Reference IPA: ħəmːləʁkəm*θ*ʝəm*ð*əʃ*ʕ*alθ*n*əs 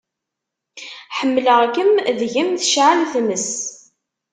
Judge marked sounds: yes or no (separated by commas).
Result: no, no, yes, no